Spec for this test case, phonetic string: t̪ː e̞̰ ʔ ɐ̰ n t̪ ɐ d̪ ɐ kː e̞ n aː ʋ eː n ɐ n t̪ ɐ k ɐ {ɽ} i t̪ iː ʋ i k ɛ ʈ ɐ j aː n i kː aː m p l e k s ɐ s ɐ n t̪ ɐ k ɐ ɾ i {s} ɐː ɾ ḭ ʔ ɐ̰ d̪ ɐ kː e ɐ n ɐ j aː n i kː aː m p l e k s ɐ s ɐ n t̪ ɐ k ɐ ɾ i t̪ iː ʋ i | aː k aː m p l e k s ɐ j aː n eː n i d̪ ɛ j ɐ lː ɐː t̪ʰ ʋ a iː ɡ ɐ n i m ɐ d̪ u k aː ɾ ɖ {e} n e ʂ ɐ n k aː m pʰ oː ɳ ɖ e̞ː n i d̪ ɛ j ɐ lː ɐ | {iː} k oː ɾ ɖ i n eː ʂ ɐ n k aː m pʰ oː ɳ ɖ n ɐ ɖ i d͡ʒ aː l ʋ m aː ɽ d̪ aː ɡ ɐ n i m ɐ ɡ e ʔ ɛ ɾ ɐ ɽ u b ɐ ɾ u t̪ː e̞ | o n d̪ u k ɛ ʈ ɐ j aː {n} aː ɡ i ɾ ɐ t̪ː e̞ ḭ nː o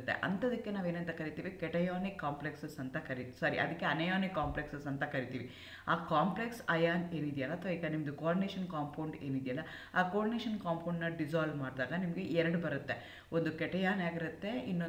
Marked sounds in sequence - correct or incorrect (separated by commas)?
incorrect, correct, incorrect, incorrect, correct